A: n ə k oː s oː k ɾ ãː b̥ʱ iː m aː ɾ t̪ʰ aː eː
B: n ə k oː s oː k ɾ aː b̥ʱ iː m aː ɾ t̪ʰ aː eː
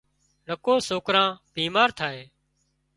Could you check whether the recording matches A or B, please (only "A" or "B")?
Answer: A